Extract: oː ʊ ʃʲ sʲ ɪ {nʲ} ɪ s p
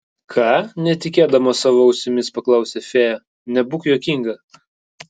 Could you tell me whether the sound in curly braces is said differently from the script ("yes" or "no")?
yes